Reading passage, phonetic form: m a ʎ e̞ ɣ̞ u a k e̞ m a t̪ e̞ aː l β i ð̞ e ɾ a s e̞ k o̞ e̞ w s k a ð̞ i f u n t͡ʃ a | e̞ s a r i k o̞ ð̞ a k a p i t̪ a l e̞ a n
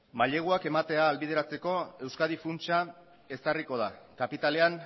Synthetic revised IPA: m a ʎ e̞ ɣ̞ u a k e̞ m a t̪ e̞ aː l β i ð̞ e ɾ a t͡s e̞ k o̞ e̞ w s k a ð̞ i f u n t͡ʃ a | e̞ s a r i k o̞ ð̞ a k a p i t̪ a l e̞ a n